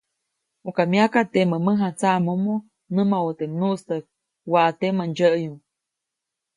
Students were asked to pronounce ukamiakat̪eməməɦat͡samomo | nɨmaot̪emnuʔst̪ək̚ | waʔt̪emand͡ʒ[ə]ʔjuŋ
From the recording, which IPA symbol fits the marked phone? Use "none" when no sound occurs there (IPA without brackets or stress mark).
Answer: ə